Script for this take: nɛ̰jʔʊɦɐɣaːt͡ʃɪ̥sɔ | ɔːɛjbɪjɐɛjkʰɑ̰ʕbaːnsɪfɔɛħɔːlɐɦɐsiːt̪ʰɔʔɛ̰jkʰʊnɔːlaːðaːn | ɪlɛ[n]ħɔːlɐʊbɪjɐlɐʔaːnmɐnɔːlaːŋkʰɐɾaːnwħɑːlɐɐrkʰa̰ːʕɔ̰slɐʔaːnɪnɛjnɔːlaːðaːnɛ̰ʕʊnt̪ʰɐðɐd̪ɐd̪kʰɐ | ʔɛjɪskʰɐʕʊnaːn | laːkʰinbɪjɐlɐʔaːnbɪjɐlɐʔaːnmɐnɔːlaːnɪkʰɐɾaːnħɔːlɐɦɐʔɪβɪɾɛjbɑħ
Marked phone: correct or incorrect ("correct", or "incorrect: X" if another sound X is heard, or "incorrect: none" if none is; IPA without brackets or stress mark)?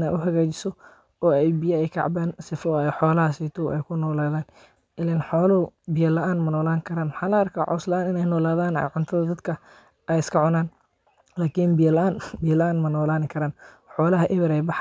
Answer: correct